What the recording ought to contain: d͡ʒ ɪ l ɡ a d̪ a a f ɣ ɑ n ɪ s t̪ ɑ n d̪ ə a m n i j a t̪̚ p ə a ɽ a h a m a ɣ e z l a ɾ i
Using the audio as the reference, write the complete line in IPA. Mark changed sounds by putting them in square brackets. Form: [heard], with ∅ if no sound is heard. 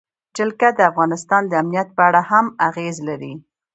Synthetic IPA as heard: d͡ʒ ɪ l [k] a d̪ [ə] a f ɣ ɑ n ɪ s t̪ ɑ n d̪ ə a m n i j a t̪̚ p ə a ɽ a h a m a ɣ e z l a ɾ i